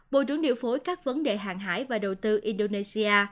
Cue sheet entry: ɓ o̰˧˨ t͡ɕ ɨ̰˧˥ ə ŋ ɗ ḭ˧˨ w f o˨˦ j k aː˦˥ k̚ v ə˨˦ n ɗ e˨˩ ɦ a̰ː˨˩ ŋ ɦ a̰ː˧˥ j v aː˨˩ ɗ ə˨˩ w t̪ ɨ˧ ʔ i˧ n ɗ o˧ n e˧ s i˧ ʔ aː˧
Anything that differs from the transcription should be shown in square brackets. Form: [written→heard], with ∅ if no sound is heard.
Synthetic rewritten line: ɓ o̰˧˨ t͡ɕ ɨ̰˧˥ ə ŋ ɗ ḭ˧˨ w f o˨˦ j k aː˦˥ k̚ v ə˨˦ n ɗ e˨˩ ɦ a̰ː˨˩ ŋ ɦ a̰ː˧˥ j v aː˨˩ ɗ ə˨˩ w t̪ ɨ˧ ʔ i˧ n ɗ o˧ n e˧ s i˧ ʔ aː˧